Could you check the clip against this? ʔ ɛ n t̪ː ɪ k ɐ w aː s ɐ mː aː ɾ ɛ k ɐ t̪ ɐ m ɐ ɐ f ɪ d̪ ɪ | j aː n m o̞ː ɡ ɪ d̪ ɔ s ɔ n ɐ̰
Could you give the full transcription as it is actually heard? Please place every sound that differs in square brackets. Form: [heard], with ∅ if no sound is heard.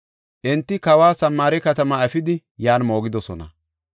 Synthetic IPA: ʔ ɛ n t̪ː ɪ k ɐ w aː s ɐ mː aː ɾ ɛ k ɐ t̪ ɐ m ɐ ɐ f ɪ d̪ ɪ | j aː n m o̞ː ɡ ɪ d̪ ɔ s ɔ n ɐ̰

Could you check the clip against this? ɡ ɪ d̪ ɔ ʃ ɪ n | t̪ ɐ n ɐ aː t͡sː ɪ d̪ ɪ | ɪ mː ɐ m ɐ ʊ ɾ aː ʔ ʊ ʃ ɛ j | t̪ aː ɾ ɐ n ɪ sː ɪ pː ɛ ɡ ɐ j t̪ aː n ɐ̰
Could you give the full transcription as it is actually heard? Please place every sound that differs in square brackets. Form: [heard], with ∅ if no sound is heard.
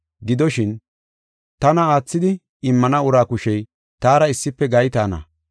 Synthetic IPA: ɡ ɪ d̪ ɔ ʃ ɪ n | t̪ ɐ n ɐ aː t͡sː ɪ d̪ ɪ | ɪ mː ɐ [n] ɐ ʊ ɾ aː [k] ʊ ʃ ɛ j | t̪ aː ɾ ɐ [∅] ɪ sː ɪ pː ɛ ɡ ɐ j t̪ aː n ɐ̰

